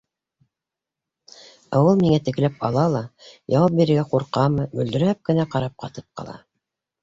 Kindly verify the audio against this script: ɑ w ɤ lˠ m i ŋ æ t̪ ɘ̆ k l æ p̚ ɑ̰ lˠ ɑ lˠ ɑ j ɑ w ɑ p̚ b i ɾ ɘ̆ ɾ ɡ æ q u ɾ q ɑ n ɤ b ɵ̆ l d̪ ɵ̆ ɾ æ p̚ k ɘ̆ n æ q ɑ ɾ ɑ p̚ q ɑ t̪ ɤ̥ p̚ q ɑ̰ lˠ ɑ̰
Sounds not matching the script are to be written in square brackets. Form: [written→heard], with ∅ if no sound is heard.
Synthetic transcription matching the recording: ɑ w ɤ lˠ m i ŋ æ t̪ ɘ̆ k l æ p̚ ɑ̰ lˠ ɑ lˠ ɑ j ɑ w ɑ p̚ b i ɾ ɘ̆ ɾ ɡ æ q u ɾ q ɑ [n→m] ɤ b ɵ̆ l d̪ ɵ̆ ɾ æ p̚ k ɘ̆ n æ q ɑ ɾ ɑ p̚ q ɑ t̪ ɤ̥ p̚ q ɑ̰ lˠ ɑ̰